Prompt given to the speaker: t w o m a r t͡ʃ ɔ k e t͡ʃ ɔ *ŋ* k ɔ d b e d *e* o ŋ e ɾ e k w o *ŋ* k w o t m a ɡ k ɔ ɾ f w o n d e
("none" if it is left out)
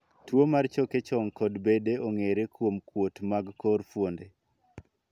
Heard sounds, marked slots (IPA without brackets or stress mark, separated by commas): ŋ, e, m